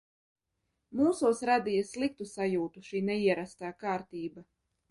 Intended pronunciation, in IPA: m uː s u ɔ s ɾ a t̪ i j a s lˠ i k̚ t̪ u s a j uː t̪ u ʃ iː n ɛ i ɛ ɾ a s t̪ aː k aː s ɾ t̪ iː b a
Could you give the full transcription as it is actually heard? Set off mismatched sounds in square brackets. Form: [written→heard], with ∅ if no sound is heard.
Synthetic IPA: m uː s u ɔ s ɾ a [t̪→d̪] i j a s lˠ i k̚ t̪ u s a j uː t̪ u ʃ iː n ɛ i ɛ ɾ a s t̪ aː k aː [s→∅] ɾ t̪ iː b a